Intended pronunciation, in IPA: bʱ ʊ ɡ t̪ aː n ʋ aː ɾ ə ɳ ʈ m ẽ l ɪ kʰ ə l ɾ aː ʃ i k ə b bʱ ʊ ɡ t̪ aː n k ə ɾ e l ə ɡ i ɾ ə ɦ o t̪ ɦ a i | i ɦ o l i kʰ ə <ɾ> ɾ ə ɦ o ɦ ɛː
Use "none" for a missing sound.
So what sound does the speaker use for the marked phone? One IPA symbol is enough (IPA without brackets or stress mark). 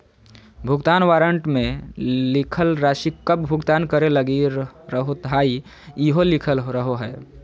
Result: l